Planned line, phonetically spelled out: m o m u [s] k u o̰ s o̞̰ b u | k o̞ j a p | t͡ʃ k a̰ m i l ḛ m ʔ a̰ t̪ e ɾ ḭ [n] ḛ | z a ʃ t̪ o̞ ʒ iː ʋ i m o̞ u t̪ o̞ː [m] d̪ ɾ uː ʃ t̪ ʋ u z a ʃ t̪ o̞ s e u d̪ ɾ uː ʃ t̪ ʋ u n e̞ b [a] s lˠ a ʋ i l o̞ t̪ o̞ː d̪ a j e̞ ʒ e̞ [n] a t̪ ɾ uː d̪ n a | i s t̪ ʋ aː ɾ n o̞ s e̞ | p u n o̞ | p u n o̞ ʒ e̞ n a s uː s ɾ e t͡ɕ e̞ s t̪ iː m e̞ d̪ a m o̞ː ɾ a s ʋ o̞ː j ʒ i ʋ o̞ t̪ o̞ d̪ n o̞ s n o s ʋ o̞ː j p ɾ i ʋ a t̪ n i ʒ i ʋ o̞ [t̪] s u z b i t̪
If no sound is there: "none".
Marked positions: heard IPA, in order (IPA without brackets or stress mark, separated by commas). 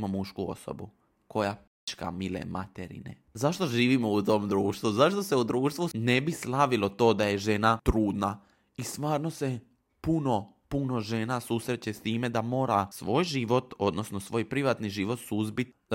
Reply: ʃ, n, m, i, n, t̪